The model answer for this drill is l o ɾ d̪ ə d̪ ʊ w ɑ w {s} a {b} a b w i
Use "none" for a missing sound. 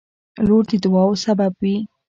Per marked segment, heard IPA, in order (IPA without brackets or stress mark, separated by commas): s, b